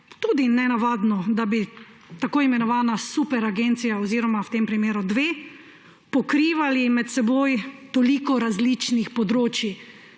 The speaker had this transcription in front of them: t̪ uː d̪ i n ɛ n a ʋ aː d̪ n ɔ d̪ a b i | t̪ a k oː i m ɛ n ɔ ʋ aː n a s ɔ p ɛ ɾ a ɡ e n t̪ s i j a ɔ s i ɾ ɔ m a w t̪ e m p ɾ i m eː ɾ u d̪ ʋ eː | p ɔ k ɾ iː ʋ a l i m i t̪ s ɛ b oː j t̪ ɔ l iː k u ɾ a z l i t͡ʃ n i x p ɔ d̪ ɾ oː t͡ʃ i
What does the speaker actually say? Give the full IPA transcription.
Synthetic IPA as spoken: t̪ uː d̪ i n ɛ n a ʋ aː d̪ n ɔ d̪ a b i | t̪ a k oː i m ɛ n ɔ ʋ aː n a s u p ɛ ɾ a ɡ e n t̪ s i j a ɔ z i ɾ ɔ m a w t̪ e m p ɾ i m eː ɾ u d̪ ʋ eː | p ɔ k ɾ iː ʋ a l i m ɛ t̪ s ɛ b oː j t̪ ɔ l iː k ɔ ɾ a z l i t͡ʃ n i x p ɔ d̪ ɾ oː t͡ʃ i